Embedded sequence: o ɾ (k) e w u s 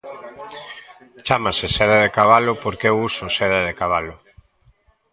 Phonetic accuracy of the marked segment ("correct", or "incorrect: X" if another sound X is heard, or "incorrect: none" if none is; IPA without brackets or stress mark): correct